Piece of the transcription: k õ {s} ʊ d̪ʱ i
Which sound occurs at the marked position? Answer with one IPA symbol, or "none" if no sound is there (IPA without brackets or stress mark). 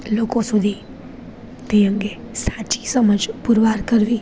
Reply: s